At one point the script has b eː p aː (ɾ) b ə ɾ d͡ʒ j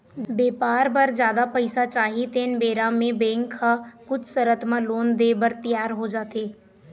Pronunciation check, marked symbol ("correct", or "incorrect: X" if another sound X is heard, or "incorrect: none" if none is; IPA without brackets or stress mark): correct